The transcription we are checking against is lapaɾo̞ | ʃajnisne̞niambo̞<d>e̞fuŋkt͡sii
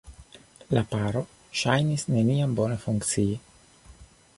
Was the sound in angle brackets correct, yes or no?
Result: no